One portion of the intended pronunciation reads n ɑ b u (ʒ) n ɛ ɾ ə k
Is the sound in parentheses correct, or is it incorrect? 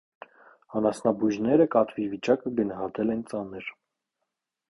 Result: correct